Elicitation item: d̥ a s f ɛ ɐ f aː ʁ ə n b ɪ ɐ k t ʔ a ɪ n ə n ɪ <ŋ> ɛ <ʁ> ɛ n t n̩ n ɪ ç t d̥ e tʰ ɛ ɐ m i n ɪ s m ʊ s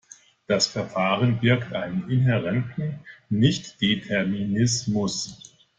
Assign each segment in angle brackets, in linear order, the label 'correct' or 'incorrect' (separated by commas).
incorrect, correct